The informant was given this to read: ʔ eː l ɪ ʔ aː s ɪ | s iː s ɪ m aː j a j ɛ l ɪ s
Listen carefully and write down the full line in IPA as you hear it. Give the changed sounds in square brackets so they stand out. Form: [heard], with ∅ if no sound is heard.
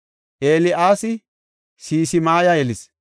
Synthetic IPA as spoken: ʔ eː l ɪ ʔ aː s ɪ | s iː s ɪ m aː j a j ɛ l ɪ s